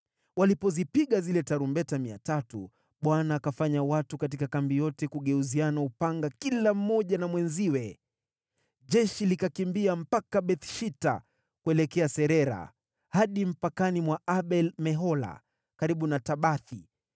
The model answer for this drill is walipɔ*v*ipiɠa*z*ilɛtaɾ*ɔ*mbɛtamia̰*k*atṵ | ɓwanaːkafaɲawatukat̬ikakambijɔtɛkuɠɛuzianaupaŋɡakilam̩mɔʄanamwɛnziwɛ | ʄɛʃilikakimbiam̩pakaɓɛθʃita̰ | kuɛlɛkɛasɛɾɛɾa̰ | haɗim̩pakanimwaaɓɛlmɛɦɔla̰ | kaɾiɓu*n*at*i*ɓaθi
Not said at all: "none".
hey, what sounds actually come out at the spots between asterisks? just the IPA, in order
z, z, u, t, n, a

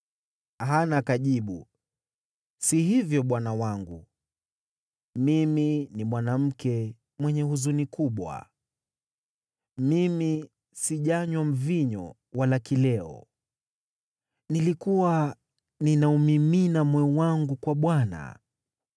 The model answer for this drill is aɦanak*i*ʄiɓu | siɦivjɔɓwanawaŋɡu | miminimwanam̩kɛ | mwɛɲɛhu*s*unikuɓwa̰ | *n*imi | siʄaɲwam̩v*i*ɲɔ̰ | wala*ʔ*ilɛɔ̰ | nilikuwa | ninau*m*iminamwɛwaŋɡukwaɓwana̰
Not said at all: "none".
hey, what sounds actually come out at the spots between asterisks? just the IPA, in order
a, z, m, i, k, m

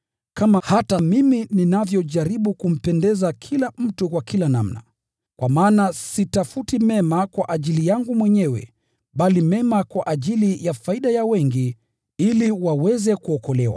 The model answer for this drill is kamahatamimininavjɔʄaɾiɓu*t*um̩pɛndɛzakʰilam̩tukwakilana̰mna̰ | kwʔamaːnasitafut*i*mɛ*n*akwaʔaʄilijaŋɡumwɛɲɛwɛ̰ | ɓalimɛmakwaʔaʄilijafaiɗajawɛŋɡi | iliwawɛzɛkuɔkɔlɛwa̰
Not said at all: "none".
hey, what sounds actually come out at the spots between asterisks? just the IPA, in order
k, i, m

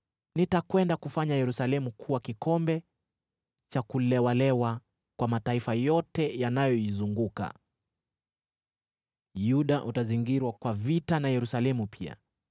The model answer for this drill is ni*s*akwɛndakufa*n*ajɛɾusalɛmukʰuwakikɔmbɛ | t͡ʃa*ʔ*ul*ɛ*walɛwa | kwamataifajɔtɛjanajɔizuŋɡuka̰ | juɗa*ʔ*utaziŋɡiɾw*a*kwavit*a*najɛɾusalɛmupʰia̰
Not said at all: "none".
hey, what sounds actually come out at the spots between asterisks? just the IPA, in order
t, ɲ, k, ɛ, ʔ, a, a

